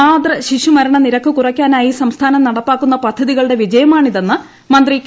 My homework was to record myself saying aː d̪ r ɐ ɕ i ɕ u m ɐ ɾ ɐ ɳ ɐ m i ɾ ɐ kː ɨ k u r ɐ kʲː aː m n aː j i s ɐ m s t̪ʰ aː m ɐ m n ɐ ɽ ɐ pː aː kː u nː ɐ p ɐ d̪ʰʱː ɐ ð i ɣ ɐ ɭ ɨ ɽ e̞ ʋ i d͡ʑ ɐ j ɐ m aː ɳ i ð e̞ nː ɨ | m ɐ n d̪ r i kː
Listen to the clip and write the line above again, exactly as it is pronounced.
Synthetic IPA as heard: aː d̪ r ɐ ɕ i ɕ u m ɐ ɾ ɐ ɳ ɐ n i ɾ ɐ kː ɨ k u r ɐ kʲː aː n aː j i s ɐ m s t̪ʰ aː n ɐ m n ɐ ɽ ɐ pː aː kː u nː ɐ p ɐ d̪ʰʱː ɐ ð i ɣ ɐ ɭ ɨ ɽ e̞ ʋ i d͡ʑ ɐ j ɐ m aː ɳ i ð e̞ nː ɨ | m ɐ n d̪ r i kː

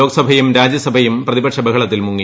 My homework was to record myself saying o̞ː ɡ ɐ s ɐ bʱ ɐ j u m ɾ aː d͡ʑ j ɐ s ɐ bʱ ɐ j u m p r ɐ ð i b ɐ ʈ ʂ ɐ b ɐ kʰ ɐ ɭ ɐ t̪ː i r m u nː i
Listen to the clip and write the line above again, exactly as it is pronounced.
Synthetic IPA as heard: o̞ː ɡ ɐ s ɐ bʱ ɐ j u m ɾ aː d͡ʑ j ɐ s ɐ bʱ ɐ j u m p r ɐ ð i b ɐ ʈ ʂ ɐ b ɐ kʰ ɐ ɭ ɐ t̪ː i l m u ŋː i

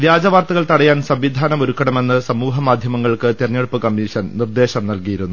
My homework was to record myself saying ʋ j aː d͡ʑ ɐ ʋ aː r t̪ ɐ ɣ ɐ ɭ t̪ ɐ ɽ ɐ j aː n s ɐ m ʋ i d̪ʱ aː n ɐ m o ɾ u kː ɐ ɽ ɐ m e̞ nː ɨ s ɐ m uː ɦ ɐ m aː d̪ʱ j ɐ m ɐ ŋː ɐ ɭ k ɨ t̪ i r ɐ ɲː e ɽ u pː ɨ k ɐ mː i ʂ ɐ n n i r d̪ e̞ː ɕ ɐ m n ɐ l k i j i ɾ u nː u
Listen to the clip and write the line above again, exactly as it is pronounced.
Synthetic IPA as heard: ʋ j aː d͡ʑ ɐ ʋ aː r t̪ ɐ ɣ ɐ ɭ t̪ ɐ ɽ ɐ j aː n s ɐ m ʋ i d̪ʱ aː n ɐ m o ɾ u kː ɐ ɽ ɐ m e̞ nː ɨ s ɐ m uː ɦ ɐ m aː d̪ʱ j ɐ m ɐ ŋː ɐ ɭ k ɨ t̪ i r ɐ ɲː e ɽ u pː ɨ k ɐ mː i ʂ ɐ n n i r d̪ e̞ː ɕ ɐ m n ɐ l k i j i ɾ u nː u

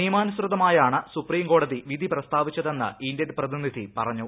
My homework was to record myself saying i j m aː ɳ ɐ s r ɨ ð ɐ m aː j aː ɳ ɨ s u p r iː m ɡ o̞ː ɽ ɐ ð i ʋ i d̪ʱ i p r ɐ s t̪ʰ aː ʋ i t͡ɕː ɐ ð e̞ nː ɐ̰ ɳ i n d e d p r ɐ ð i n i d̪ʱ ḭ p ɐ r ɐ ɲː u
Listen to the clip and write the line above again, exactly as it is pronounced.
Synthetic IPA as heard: i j m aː n ɐ s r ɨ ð ɐ m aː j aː ɳ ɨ s u p r iː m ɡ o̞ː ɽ ɐ ð i ʋ i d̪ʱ i p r ɐ s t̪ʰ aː ʋ i t͡ɕː ɐ ð e̞ nː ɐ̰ i n d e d p r ɐ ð i n i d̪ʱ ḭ p ɐ r ɐ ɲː u

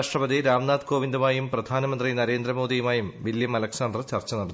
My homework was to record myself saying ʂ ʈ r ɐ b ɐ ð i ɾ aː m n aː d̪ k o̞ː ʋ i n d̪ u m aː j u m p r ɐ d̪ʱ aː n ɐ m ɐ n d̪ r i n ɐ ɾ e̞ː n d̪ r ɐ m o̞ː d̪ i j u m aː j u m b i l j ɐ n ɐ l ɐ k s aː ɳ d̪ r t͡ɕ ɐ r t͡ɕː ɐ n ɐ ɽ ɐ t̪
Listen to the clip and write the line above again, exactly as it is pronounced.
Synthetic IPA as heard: ʂ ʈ r ɐ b ɐ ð i ɾ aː m n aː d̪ k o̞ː ʋ i n d̪ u m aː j u m p r ɐ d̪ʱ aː n ɐ m ɐ n d̪ r i n ɐ ɾ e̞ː n d̪ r ɐ m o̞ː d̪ i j u m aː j u m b i l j ɐ m ɐ l ɐ k s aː n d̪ r t͡ɕ ɐ r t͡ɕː ɐ n ɐ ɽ ɐ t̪

